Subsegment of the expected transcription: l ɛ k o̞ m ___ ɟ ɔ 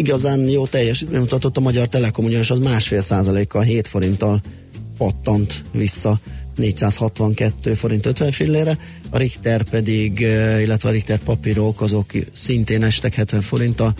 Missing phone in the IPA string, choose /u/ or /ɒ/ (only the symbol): u